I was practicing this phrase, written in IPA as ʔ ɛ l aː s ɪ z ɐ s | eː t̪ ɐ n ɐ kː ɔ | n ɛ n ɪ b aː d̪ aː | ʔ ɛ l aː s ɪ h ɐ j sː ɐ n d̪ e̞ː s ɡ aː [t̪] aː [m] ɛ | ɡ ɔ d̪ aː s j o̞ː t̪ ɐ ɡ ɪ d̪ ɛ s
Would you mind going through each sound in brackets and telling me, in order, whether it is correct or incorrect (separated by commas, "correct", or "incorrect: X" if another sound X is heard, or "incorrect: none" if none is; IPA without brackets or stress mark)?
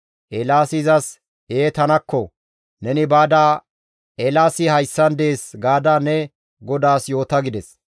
incorrect: d̪, incorrect: n